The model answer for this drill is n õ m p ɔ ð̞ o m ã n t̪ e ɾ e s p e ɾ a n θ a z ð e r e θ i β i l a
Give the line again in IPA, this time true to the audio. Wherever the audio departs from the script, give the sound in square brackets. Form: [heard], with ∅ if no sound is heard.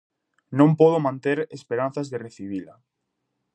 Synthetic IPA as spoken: n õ m p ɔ ð̞ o m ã n t̪ e ɾ e s p e ɾ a n θ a z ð e r e θ i β i l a